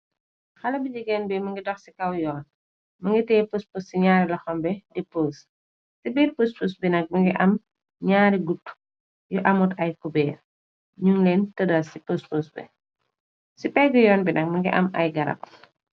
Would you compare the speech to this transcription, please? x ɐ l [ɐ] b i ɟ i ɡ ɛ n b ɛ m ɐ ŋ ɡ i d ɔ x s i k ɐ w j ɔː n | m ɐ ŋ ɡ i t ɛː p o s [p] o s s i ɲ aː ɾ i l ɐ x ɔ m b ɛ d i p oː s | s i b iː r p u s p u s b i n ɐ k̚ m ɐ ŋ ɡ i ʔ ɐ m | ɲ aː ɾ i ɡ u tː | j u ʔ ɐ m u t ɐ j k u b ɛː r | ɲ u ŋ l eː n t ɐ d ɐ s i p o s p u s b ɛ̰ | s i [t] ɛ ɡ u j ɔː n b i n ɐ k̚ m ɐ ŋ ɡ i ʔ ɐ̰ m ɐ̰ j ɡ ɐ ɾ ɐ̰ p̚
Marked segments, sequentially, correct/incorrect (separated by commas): correct, correct, incorrect